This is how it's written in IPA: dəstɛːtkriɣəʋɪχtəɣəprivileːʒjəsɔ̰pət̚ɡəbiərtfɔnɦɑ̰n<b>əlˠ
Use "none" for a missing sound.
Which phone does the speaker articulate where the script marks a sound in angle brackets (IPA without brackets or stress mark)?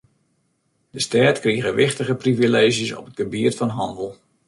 d